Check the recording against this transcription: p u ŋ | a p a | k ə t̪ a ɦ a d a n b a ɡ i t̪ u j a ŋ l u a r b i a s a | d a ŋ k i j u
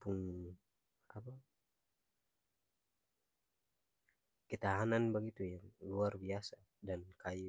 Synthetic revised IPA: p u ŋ | a p a | k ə t̪ a ɦ a n a n b a ɡ i t̪ u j a ŋ l u a r b i a s a | d a n k a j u

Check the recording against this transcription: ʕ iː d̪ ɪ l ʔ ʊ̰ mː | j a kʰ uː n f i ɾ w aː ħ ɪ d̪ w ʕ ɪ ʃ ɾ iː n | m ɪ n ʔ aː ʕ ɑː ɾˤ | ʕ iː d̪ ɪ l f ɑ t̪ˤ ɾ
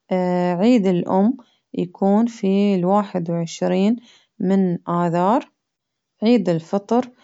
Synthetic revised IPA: ʕ iː d̪ ɪ l ʔ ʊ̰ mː | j a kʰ uː n f i l w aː ħ ɪ d̪ w ʕ ɪ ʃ ɾ iː n | m ɪ n ʔ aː ð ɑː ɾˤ | ʕ iː d̪ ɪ l f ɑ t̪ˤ ɾ

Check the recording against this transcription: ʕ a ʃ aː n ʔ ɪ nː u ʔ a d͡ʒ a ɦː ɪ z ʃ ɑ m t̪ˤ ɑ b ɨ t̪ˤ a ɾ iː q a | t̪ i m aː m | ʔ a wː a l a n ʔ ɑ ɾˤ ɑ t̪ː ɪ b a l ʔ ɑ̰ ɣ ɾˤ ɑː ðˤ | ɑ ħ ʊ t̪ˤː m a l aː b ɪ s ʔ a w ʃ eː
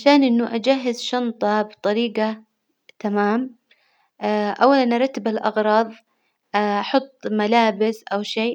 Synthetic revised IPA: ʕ a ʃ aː n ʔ ɪ nː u ʔ a d͡ʒ a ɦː ɪ z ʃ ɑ n t̪ˤ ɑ b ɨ t̪ˤ ɑ ɾ iː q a | t̪ a m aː m | ʔ a wː a l a n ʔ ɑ ɾˤ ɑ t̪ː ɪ b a l ʔ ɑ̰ ɣ ɾˤ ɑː ðˤ | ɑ ħ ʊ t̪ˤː m a l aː b ɪ s ʔ a w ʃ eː

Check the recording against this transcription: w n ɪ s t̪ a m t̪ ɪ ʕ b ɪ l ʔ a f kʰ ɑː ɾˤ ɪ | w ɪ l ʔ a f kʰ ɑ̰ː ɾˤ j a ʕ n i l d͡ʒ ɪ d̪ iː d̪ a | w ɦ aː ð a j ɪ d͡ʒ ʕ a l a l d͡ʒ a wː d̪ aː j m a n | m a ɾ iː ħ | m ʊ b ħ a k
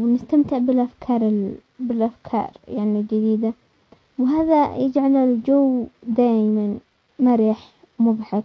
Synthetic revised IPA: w n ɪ s t̪ a m t̪ ɪ ʕ b ɪ l ʔ a f kʰ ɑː ɾˤ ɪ | b ɪ l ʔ a f kʰ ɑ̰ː ɾˤ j a ʕ n i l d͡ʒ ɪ d̪ iː d̪ a | w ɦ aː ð a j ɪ d͡ʒ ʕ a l a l d͡ʒ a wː d̪ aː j m a n | m a ɾ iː ħ | m ʊ b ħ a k

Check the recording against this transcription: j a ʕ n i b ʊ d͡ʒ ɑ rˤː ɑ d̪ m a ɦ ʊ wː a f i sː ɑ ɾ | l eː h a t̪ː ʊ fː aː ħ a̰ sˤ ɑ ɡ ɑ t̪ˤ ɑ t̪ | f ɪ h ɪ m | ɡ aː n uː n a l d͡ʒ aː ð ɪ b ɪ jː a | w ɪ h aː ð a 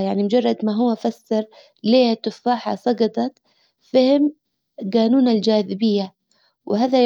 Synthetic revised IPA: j a ʕ n i m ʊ d͡ʒ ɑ rˤː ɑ d̪ m a ɦ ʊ wː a f a sː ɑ ɾ | l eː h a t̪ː ʊ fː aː ħ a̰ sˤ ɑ ɡ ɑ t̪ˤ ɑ t̪ | f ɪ h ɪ m | ɡ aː n uː n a l d͡ʒ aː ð ɪ b ɪ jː a | w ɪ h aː ð a

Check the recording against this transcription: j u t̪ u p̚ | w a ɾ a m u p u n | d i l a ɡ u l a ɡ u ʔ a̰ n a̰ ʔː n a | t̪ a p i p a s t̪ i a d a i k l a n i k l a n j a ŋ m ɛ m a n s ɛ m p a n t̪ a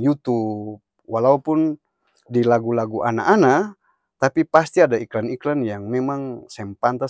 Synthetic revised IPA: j u t̪ u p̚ | w a l a u p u n | d i l a ɡ u l a ɡ u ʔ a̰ n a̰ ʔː n a | t̪ a p i p a s t̪ i a d a i k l a n i k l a n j a ŋ m ɛ m a ŋ s ɛ m p a n t̪ a

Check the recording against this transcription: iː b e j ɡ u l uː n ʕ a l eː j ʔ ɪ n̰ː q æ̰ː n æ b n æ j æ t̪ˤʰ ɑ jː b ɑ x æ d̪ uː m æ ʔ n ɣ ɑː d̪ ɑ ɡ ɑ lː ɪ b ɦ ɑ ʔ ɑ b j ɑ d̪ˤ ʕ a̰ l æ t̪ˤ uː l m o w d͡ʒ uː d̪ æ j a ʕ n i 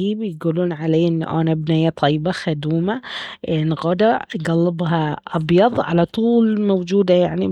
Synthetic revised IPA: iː b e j ɡ u l uː n ʕ a l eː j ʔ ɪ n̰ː ʔ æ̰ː n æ b n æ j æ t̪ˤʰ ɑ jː b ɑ x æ d̪ uː m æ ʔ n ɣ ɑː d̪ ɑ ɡ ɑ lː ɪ b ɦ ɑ ʔ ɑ b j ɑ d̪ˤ ʕ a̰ l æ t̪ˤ uː l m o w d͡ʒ uː d̪ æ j a ʕ n i

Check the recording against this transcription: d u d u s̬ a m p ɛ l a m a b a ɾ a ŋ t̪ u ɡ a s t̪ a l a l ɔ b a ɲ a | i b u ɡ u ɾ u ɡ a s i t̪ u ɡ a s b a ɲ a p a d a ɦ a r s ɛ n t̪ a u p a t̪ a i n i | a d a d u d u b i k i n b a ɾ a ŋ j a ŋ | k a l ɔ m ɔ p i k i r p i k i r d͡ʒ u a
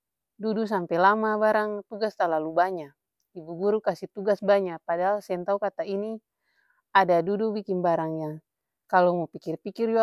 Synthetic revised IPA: d u d u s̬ a m p ɛ l a m a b a ɾ a ŋ t̪ u ɡ a s t̪ a l a l u b a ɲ a | i b u ɡ u ɾ u k a s i t̪ u ɡ a s b a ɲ a p a d a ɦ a l s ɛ n t̪ a u k a t̪ a i n i | a d a d u d u b i k i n b a ɾ a ŋ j a ŋ | k a l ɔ m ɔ p i k i r p i k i r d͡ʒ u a

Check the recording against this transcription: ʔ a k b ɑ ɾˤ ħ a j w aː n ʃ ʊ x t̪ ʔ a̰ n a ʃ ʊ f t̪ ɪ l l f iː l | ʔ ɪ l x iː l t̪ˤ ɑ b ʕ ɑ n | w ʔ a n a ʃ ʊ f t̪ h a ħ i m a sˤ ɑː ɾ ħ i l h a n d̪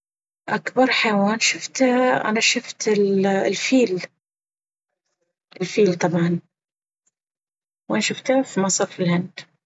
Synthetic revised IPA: ʔ a k b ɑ ɾˤ ħ a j w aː n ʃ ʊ f t̪ ʔ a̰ n a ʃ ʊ f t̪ ɪ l l f iː l | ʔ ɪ l f iː l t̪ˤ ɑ b ʕ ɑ n | w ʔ a n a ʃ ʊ f t̪ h a f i m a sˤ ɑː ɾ f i l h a n d̪

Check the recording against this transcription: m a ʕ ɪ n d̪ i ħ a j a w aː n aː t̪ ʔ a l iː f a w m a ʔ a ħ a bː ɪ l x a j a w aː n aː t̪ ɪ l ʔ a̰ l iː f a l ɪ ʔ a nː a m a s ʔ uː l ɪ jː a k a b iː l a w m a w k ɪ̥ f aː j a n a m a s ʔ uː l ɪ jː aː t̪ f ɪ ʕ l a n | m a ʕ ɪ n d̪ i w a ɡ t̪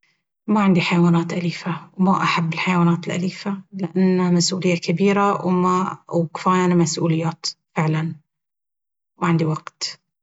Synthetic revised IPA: m a ʕ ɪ n d̪ i ħ a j a w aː n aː t̪ ʔ a l iː f a w m a ʔ a ħ a bː ɪ l ħ a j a w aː n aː t̪ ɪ l ʔ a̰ l iː f a l ɪ ʔ a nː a m a s ʔ uː l ɪ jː a k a b iː ɾ a w m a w k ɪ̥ f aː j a n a m a s ʔ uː l ɪ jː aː t̪ f ɪ ʕ l a n | m a ʕ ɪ n d̪ i w a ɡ t̪

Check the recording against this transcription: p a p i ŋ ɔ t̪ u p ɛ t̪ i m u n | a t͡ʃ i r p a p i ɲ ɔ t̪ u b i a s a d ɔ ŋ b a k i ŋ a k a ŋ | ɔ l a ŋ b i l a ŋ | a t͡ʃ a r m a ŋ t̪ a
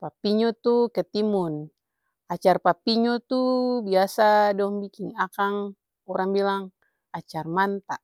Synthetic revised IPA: p a p i ɲ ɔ t̪ u k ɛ t̪ i m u n | a t͡ʃ a r p a p i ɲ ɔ t̪ u b i a s a d ɔ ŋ b i k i ŋ a k a ŋ | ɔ ɾ a ŋ b i l a ŋ | a t͡ʃ a r m a n t̪ a

